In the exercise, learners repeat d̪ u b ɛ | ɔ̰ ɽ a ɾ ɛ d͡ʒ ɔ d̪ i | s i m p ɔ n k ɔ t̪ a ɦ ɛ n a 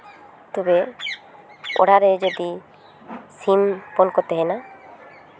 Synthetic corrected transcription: t̪ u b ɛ | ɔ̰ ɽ a ɾ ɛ d͡ʒ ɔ d̪ i | s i m p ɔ n k ɔ t̪ ɛ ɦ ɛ n a